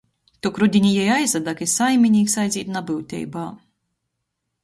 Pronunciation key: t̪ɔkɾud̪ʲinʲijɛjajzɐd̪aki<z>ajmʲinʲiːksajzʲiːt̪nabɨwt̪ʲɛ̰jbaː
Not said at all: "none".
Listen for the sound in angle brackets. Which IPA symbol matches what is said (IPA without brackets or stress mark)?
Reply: s